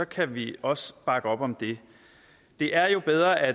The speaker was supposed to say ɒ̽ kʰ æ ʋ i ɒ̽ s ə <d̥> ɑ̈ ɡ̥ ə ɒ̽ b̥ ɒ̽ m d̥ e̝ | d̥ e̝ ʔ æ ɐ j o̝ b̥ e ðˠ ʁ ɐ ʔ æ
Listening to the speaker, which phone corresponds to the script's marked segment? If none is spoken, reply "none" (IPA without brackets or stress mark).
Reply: b̥